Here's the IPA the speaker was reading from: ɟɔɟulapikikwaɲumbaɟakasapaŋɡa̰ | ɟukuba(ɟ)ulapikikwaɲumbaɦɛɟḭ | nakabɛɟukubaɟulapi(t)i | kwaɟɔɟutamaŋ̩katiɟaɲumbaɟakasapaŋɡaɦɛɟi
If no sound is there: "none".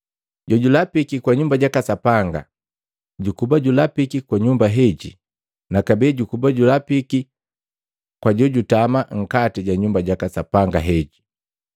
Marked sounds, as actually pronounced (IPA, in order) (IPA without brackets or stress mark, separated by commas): ɟ, k